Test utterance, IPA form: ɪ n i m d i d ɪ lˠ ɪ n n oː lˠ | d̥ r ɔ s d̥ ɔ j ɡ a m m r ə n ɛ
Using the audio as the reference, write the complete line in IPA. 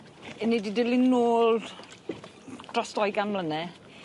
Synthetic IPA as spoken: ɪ n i d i d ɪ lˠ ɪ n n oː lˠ | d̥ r ɔ s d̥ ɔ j ɡ a n m l ə n ɛ

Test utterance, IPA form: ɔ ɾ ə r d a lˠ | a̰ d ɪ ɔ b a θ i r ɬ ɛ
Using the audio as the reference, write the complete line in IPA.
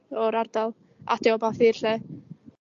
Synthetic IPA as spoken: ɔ ɾ a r d a lˠ | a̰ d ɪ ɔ b a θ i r ɬ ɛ

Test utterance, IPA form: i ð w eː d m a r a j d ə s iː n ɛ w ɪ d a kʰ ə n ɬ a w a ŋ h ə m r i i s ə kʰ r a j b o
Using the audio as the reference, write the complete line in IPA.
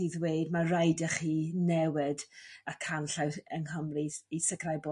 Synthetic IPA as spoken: i ð w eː d m a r a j d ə χ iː n ɛ w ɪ d a kʰ a n ɬ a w ə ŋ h ə m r i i s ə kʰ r a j b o

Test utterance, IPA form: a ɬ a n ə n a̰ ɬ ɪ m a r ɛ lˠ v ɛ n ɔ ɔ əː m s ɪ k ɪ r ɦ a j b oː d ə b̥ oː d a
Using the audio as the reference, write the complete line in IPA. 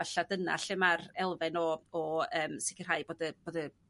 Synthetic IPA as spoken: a ɬ a d ə n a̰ ɬ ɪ m a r ɛ lˠ v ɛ n ɔ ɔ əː m s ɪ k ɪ r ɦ a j b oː d ə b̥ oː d ə

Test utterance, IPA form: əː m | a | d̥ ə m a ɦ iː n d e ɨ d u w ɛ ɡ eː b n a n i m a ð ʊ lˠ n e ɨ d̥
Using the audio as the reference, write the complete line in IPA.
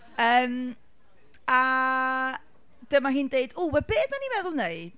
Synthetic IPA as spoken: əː m | a | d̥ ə m a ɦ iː n d e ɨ d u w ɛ b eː d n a n i m ɛ ð ʊ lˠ n e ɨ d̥

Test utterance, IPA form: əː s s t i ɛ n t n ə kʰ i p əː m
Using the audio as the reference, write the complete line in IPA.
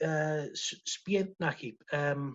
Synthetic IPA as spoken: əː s s p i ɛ n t n a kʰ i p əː m

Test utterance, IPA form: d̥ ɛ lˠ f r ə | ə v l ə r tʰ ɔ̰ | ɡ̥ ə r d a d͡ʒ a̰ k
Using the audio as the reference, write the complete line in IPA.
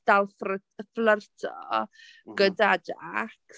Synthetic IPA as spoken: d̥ a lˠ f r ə | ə f l ə r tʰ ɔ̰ | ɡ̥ ə d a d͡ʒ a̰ k

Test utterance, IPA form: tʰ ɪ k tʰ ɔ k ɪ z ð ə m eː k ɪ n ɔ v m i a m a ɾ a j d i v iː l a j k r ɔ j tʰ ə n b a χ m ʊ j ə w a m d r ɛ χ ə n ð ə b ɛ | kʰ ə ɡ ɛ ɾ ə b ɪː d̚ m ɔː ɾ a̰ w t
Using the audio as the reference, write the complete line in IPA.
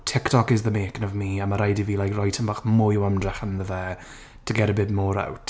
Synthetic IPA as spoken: tʰ ɪ k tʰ ɔ k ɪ z ð ə m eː k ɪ n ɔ v m i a m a ɾ a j d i v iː l a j k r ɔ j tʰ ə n b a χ m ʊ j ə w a m d r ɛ χ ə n ð ə v ɛ | tʰ ə ɡ ɛ ɾ ə b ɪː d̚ m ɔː ɾ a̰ w t

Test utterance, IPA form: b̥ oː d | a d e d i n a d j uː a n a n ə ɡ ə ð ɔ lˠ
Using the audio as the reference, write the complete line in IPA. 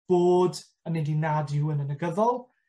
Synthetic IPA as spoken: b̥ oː d | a n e d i n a d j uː ə n ə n ə ɡ ə ð ɔ lˠ

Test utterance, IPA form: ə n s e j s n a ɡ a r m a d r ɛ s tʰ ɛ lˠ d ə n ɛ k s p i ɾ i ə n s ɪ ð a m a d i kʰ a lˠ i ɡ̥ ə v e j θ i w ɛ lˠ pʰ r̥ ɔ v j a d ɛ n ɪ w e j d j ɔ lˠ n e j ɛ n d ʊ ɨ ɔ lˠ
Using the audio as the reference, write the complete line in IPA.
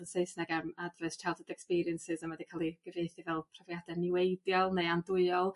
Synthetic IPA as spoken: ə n s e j s n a ɡ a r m a d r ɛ s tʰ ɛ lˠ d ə d ɛ k s p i ɾ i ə n s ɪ z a m a d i kʰ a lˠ i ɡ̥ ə v e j θ i v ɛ lˠ pʰ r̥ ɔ v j a d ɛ n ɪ w e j d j ɔ lˠ n e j a n d ʊ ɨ ɔ lˠ

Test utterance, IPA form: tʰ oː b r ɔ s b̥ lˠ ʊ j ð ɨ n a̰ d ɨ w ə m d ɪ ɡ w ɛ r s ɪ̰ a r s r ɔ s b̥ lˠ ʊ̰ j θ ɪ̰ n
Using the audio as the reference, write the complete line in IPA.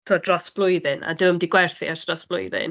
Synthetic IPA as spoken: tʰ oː d r ɔ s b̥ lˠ ʊ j ð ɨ n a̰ d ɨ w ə m d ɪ ɡ w ɛ r θ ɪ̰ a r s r ɔ s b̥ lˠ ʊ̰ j ð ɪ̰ n

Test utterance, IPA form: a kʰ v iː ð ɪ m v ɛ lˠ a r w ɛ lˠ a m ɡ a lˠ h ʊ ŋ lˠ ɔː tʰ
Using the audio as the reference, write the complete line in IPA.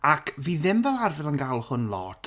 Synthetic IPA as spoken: a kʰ v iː ð ɪ m v ɛ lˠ a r v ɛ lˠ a n ɡ a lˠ h ʊ n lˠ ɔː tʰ

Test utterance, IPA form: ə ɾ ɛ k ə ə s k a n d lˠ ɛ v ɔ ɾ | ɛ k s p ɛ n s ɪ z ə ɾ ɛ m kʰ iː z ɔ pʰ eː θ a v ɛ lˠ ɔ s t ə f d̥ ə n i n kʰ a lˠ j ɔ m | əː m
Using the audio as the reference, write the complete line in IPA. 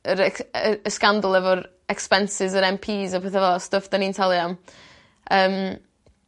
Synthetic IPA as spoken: ə ɾ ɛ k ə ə s k a n d lˠ ɛ v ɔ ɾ | ɛ k s p ɛ n s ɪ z ə ɾ ɛ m pʰ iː z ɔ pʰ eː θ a v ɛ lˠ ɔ s t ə f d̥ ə n i n tʰ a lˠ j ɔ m | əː m

